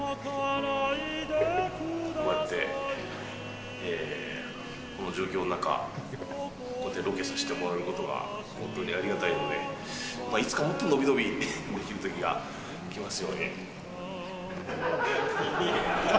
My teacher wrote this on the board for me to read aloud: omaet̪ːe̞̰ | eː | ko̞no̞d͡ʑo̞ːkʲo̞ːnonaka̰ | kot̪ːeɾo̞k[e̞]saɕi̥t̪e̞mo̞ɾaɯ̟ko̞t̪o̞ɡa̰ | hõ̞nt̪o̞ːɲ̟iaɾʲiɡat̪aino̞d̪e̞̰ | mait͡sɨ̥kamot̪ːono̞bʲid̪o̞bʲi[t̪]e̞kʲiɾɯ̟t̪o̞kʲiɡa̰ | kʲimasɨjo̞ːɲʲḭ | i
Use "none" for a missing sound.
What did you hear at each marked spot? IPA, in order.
e̞, d̪

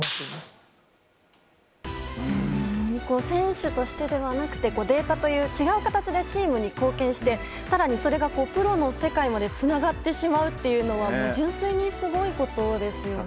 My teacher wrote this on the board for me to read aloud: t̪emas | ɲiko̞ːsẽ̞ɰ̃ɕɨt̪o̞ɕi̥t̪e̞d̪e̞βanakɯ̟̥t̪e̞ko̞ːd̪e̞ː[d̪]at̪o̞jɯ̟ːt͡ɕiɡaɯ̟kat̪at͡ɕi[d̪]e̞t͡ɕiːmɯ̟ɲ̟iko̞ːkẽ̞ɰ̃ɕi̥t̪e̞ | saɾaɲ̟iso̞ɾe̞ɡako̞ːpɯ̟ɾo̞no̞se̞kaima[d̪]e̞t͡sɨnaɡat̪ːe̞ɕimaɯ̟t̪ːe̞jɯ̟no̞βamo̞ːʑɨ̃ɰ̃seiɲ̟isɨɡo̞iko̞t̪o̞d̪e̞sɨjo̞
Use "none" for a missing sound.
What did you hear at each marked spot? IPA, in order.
t̪, d̪, d̪

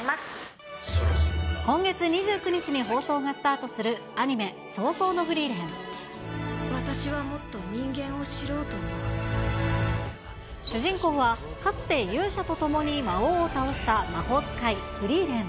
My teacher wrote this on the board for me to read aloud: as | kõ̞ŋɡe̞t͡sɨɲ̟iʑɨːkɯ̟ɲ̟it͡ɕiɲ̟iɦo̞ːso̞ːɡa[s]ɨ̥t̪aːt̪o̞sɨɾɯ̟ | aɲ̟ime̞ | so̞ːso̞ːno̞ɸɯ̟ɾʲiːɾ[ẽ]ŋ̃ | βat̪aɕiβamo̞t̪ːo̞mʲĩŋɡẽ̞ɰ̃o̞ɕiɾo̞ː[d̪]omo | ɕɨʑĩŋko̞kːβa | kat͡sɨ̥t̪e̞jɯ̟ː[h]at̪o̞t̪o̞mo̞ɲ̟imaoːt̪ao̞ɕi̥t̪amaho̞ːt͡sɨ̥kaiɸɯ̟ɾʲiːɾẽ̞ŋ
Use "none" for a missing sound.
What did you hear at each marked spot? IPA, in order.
s, ẽ, t̪, ɕ

